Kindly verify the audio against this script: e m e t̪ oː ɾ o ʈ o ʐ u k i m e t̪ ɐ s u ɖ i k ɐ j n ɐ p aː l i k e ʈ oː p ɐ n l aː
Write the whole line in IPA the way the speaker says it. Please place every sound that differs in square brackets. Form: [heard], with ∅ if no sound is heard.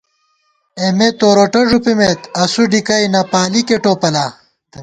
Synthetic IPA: e m e t̪ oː ɾ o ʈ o ʐ u [p] i m e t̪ ɐ s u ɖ i k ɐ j n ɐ p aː l i k e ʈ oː p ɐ [∅] l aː